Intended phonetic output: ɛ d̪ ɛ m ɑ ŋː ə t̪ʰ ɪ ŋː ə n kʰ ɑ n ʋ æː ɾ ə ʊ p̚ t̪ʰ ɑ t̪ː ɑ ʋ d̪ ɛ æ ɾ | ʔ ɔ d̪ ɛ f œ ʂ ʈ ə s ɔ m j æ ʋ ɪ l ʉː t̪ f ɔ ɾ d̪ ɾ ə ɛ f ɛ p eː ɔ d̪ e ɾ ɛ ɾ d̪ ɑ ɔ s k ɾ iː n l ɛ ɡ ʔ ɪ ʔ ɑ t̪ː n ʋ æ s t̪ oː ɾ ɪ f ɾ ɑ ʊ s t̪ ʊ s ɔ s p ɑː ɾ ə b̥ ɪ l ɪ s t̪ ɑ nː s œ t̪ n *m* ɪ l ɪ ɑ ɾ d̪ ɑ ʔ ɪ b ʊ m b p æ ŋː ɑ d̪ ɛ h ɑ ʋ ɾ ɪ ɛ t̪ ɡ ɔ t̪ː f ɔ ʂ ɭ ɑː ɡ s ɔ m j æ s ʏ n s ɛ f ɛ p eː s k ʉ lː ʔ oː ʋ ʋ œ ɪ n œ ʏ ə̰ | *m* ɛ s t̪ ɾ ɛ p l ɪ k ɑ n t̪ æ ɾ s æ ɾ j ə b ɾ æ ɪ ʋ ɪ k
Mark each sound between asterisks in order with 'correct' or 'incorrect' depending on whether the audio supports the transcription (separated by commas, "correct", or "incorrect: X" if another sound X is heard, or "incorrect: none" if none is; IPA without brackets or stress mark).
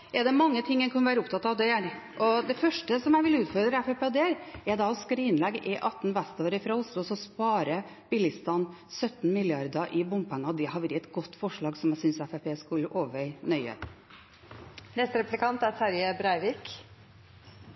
correct, incorrect: n